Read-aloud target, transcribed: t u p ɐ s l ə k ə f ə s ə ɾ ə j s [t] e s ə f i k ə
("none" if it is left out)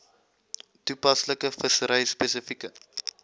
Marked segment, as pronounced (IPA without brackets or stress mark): p